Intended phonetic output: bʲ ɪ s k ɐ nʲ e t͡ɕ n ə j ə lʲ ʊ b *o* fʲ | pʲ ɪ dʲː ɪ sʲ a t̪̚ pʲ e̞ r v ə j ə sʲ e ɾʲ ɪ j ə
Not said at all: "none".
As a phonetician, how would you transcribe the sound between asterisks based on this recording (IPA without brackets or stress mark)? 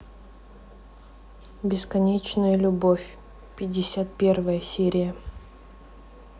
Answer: o